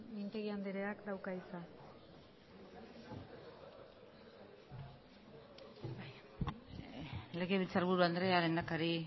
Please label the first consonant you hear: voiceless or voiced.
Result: voiced